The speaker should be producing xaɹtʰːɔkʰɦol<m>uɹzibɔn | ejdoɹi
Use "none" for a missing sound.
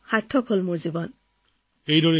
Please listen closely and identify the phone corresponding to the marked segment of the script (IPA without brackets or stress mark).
m